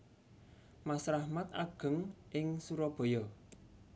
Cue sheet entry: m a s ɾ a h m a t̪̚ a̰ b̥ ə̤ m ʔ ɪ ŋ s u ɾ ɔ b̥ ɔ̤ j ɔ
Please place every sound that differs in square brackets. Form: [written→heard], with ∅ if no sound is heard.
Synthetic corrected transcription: m a s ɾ a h m a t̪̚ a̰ [b̥→ɡ̥] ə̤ [m→ŋ] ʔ ɪ ŋ s u ɾ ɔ b̥ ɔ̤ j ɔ